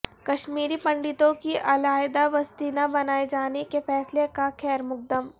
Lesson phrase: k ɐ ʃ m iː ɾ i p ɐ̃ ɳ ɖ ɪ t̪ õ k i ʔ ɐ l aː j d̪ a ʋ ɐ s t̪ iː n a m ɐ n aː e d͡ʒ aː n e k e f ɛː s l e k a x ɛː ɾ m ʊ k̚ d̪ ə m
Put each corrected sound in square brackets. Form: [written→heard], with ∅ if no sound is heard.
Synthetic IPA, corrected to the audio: k ɐ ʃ m iː ɾ i p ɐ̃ ɳ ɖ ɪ t̪ õ k i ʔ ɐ l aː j d̪ a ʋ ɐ s t̪ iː n a [m→b] ɐ n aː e d͡ʒ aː n e k e f ɛː s l e k a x ɛː ɾ m ʊ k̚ d̪ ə m

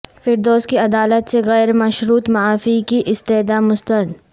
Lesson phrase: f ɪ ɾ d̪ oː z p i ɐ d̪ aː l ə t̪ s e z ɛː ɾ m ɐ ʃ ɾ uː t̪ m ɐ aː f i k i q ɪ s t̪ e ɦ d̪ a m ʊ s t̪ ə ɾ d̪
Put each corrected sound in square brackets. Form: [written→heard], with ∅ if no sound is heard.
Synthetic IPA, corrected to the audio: f ɪ ɾ d̪ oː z [p→k] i ɐ d̪ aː l ə t̪ s e [z→ɣ] ɛː ɾ m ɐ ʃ ɾ uː t̪ m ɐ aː f i k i [q→ʔ] ɪ s t̪ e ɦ d̪ a m ʊ s t̪ ə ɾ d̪

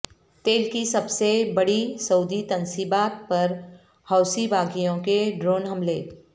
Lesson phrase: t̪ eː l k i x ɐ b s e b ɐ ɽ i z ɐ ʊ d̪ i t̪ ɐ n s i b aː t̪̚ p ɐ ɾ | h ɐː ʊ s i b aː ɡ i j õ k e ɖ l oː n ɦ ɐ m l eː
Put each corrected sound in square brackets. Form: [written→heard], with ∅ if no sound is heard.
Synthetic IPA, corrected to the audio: t̪ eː l k i [x→s] ɐ b s e b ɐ ɽ i [z→s] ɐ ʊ d̪ i t̪ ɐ n s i b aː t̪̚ p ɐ ɾ | h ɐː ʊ s i b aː ɡ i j õ k e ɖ [l→ɾ] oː n ɦ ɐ m l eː

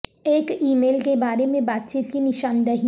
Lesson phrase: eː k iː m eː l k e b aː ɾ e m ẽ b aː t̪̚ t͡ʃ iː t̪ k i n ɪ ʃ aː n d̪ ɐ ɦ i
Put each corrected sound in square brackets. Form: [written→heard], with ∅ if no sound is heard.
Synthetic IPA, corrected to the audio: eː k iː m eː l k e b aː ɾ e m ẽ b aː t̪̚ t͡ʃ iː t̪ k i n ɪ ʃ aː n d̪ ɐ ɦ i

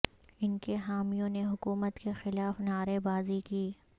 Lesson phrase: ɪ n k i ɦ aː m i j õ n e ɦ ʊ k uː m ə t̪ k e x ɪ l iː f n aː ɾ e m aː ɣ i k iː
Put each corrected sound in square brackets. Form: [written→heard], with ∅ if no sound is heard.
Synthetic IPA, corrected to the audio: ɪ n k [i→e] ɦ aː m i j õ n e ɦ ʊ k uː m ə t̪ k e x ɪ l [iː→aː] f n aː ɾ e [m→b] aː [ɣ→z] i k iː

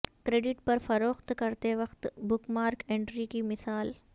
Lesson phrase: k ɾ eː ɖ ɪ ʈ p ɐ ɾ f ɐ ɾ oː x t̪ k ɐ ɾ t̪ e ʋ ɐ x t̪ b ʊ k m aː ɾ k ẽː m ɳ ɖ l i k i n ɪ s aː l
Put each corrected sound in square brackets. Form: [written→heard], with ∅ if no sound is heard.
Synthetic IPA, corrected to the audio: k ɾ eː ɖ ɪ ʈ p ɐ ɾ f ɐ ɾ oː x t̪ k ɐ ɾ t̪ e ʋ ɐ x t̪ b ʊ k m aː ɾ k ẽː [m→∅] ɳ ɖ [l→ɾ] i k i [n→m] ɪ s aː l

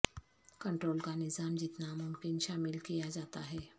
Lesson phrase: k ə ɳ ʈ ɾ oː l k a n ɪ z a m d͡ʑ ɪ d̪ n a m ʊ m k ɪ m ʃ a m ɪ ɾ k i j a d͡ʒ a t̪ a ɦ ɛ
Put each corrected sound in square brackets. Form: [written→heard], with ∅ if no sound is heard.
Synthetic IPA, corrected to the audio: k ə ɳ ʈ ɾ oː l k a n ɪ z a m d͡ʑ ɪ [d̪→t̪] n a m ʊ m k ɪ [m→n] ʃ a m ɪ [ɾ→l] k i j a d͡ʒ a t̪ a ɦ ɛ

